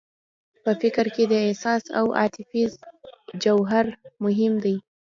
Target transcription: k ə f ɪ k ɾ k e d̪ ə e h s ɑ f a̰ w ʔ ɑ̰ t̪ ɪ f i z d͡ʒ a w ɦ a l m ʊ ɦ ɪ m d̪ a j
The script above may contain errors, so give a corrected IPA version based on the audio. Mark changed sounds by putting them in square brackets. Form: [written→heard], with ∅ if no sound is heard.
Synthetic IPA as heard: [k→p] ə f ɪ k ɾ k e d̪ ə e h s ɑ [f→s] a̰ w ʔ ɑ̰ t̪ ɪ f i z d͡ʒ a w ɦ a [l→ɾ] m ʊ ɦ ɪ m d̪ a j